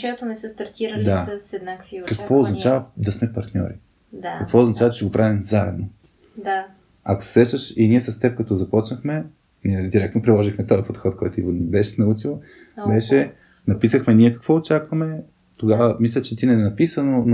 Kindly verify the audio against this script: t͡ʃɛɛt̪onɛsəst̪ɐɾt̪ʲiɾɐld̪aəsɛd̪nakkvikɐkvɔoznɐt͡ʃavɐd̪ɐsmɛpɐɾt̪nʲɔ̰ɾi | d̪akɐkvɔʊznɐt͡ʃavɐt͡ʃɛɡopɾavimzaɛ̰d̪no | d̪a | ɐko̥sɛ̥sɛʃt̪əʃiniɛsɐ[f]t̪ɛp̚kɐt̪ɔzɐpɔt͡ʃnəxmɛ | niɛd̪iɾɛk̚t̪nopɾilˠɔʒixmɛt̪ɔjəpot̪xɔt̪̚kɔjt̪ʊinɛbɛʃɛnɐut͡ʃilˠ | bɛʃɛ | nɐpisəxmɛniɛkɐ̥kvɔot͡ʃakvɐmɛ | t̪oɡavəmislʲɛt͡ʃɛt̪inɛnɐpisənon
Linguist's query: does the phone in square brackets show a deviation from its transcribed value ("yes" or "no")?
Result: yes